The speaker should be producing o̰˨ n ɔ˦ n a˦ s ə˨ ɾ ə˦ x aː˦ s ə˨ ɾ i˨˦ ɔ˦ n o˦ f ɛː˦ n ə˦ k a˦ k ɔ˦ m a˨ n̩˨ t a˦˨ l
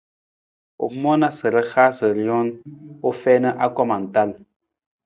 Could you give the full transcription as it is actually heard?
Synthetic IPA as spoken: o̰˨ m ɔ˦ n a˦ s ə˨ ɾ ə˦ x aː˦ s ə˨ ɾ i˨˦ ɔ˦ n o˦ f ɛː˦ n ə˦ ʔ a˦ k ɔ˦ m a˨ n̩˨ t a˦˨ l